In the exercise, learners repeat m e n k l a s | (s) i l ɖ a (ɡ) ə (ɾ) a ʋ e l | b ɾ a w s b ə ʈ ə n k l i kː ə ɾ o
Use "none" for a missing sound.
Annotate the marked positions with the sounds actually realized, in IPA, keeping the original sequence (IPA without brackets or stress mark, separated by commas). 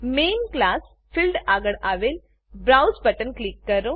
f, ɡ, ɽ